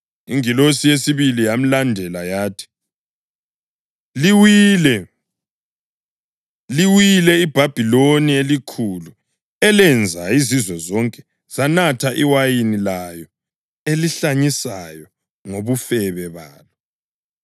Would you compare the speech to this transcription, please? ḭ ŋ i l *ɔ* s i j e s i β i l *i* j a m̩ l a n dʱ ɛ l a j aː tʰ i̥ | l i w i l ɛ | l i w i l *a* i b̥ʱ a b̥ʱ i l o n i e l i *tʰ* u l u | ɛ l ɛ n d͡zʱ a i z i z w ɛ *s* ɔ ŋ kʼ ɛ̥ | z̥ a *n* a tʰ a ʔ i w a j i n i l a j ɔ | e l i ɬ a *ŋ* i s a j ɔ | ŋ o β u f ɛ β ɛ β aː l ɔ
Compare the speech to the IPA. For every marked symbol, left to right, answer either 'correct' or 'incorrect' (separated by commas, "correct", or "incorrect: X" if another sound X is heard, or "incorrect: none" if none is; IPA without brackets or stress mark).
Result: incorrect: o, correct, incorrect: ɛ, incorrect: kʰ, incorrect: z, correct, incorrect: ɲ